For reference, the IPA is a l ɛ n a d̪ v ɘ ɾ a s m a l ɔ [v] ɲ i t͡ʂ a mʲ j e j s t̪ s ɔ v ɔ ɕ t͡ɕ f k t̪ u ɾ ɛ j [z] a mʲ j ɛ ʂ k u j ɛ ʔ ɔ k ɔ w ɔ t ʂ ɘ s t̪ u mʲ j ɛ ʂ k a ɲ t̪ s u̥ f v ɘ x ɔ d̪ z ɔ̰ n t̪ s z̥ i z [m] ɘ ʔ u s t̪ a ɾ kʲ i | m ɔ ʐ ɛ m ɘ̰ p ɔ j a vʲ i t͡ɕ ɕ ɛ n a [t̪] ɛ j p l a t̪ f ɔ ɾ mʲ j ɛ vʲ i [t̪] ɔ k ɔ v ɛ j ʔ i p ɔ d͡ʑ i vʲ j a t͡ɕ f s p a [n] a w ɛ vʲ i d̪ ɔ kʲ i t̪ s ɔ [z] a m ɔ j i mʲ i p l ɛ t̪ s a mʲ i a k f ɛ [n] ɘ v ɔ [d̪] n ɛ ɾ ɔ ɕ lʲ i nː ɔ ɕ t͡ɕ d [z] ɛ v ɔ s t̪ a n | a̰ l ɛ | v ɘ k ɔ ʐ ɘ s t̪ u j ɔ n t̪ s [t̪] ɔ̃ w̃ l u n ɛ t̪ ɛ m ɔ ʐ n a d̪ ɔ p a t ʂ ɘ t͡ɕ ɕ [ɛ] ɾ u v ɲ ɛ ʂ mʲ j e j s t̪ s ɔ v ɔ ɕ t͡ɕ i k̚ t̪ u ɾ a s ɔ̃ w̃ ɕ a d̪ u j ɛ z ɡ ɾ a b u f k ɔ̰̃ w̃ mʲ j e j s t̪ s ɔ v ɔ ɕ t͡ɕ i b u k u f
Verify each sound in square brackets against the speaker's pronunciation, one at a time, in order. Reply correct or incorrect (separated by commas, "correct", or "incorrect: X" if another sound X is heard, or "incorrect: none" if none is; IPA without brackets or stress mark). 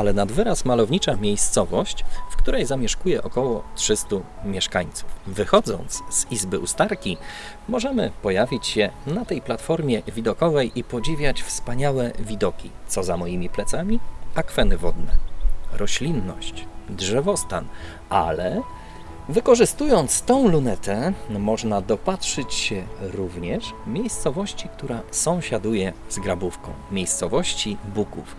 correct, correct, incorrect: b, correct, incorrect: d̪, incorrect: ɲ, correct, correct, correct, incorrect: ʐ, correct, correct